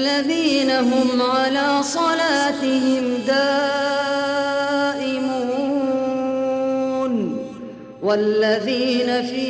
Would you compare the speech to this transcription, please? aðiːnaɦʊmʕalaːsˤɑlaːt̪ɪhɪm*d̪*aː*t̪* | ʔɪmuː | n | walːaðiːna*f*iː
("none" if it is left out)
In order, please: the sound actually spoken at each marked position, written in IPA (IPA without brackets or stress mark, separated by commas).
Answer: d̪, none, f